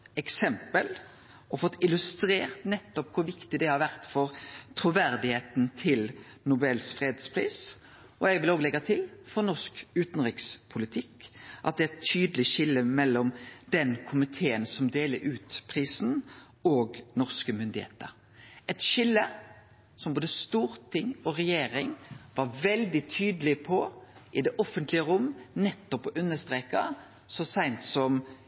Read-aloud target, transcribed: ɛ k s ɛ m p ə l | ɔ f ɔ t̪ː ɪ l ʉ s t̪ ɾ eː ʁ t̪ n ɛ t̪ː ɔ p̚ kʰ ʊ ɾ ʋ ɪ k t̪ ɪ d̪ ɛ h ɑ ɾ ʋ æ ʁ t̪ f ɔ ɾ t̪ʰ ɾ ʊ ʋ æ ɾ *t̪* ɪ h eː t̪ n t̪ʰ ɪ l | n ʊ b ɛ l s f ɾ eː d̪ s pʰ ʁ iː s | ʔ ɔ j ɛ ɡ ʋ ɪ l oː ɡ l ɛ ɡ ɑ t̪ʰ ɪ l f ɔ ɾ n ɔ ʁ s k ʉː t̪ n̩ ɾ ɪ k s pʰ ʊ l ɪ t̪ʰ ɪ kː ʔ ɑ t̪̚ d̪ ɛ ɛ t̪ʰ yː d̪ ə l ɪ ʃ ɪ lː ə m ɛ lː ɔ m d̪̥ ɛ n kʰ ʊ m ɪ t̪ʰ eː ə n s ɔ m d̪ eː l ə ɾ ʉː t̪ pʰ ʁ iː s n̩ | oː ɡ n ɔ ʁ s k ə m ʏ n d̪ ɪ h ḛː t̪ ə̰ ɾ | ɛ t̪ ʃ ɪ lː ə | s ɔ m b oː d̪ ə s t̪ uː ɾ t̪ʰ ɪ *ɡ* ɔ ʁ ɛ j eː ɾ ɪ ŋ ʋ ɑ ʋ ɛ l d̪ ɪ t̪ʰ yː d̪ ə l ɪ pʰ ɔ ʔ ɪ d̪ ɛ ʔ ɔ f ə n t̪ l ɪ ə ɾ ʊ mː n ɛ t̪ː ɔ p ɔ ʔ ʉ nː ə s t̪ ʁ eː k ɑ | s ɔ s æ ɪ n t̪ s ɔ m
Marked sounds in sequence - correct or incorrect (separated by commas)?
incorrect, incorrect